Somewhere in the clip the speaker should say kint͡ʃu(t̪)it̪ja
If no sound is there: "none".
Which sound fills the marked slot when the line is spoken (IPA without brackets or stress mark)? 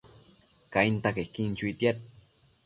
none